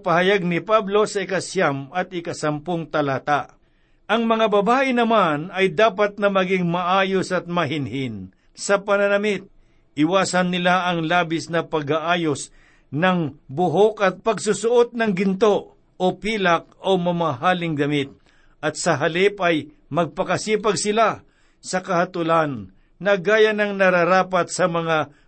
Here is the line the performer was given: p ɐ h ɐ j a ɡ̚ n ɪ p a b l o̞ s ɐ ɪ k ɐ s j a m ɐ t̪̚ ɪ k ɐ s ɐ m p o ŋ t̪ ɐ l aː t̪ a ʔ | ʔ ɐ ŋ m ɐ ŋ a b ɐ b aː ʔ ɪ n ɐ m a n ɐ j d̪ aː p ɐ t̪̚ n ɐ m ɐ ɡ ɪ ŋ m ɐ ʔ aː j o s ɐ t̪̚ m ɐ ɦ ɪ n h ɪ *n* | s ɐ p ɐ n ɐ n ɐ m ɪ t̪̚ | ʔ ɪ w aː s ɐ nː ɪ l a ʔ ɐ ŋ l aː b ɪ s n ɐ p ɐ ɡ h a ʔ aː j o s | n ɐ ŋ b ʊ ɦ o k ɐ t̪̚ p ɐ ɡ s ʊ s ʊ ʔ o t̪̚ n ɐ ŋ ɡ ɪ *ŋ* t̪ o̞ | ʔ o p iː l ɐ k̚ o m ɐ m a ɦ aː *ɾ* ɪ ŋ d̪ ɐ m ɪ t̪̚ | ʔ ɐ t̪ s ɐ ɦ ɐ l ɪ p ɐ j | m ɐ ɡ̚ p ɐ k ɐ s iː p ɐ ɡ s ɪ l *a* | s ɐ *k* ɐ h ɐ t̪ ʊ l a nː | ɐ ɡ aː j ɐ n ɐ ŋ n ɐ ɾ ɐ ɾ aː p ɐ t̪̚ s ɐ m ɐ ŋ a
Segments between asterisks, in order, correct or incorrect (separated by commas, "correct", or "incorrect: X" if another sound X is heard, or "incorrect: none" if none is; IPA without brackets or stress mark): correct, incorrect: n, incorrect: l, correct, correct